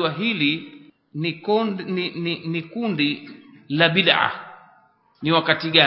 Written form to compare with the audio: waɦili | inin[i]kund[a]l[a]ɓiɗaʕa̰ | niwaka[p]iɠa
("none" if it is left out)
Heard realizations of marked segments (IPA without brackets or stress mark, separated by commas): i, i, a, t